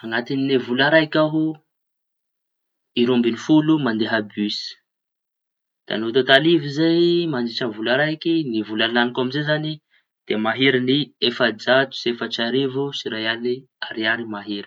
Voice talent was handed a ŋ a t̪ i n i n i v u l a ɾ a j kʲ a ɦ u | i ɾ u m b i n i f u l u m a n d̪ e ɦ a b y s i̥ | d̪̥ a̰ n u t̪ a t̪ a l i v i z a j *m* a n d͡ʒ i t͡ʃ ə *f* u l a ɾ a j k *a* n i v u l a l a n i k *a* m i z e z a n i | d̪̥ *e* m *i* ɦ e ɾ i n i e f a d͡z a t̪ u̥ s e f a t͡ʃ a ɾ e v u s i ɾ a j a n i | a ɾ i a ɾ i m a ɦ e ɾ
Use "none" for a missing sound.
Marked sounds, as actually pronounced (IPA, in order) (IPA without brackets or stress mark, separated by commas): m, v, i, a, e, a